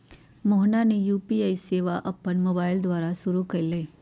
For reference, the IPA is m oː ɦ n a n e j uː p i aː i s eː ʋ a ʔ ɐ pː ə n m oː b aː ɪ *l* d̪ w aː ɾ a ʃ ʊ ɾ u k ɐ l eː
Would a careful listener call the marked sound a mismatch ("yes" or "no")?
no